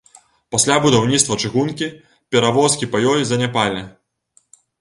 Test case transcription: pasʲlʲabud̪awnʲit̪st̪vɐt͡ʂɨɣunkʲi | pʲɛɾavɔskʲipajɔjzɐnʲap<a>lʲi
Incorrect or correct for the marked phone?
correct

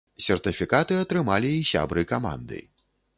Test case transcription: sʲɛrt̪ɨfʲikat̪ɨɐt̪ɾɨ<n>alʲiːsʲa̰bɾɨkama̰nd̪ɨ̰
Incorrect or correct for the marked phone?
incorrect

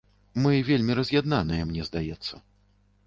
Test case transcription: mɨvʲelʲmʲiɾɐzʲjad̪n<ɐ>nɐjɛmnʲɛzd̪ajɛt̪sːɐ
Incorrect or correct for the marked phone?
incorrect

